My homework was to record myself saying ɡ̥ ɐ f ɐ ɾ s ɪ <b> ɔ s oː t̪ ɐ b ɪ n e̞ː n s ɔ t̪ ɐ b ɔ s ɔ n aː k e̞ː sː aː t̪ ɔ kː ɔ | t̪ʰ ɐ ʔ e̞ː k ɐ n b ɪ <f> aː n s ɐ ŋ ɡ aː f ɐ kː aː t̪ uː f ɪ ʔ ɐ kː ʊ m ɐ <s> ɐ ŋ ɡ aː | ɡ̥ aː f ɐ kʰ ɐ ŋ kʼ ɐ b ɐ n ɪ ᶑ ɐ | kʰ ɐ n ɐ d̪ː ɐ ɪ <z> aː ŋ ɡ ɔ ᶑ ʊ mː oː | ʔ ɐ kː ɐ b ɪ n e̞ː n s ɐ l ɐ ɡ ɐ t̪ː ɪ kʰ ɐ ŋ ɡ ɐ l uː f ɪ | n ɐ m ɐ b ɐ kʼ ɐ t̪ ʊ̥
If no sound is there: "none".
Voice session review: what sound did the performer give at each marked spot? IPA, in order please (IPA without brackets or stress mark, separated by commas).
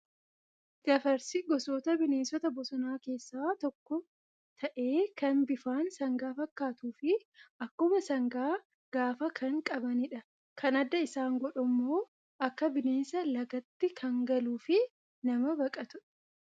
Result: ɡ, f, s, s